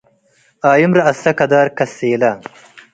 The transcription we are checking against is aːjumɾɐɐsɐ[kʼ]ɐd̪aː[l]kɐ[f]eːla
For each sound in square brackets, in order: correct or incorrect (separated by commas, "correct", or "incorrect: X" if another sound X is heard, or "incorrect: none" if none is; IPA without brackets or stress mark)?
incorrect: k, incorrect: ɾ, incorrect: s